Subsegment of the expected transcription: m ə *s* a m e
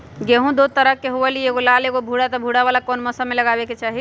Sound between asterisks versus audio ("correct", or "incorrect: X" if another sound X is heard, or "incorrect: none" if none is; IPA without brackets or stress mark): correct